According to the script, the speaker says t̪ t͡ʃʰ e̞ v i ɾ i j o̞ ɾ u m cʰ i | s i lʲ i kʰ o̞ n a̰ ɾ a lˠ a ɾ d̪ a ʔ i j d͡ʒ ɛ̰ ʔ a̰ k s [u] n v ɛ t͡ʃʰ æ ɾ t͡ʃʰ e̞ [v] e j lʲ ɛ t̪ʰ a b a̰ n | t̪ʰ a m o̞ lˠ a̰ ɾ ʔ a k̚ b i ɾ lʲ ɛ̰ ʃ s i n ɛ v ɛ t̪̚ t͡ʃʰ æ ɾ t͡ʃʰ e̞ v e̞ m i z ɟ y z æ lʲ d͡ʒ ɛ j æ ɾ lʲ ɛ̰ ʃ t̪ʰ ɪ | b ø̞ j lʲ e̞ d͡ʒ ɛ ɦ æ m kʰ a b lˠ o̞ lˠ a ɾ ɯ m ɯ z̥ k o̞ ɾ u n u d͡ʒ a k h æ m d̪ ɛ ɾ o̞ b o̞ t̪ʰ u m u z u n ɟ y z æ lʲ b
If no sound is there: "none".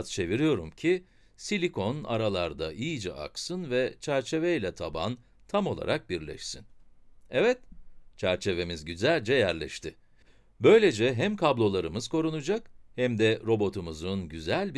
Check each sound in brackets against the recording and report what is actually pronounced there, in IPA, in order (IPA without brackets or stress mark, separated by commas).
ɯ, v